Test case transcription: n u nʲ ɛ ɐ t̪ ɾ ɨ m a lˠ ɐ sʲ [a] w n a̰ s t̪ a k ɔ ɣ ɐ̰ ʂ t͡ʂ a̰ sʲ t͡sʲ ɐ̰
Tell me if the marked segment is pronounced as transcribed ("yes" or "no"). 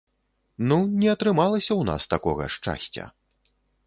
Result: no